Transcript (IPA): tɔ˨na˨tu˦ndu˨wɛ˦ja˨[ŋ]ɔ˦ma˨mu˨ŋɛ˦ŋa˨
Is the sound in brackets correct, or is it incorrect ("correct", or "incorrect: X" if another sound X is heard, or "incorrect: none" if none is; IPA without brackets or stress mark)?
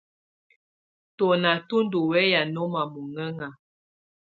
incorrect: n